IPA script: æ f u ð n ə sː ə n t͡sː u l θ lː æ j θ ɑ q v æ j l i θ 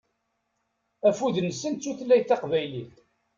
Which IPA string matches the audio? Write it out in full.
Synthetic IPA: æ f u ð n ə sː ə n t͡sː u θ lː æ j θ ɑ q v æ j l i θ

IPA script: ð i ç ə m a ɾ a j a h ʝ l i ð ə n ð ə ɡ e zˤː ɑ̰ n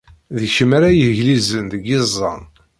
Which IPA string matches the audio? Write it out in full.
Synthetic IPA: ð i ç ə m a ɾ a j ə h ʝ l i z ə n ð ə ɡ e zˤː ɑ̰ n

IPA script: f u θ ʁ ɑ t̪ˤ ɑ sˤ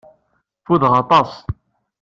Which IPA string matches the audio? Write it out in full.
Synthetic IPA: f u ð ʁ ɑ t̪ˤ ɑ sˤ

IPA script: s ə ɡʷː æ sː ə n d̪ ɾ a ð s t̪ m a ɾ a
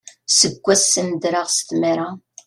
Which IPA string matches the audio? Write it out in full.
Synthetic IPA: s ə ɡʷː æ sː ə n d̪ ɾ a ʁ s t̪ m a ɾ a

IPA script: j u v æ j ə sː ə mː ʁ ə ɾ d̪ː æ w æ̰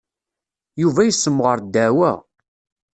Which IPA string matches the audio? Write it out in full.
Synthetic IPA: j u v æ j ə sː ə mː ʁ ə ɾ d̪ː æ w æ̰

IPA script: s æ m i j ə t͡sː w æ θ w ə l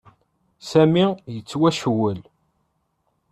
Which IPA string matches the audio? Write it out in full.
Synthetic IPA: s æ m i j ə t͡sː w æ ʃ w ə l

